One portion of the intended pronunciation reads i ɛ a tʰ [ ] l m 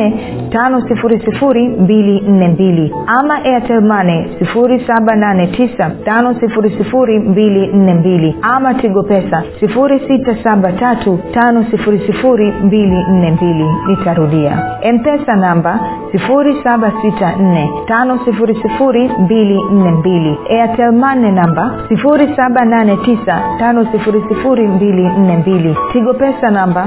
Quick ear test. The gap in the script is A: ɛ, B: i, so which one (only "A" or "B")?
A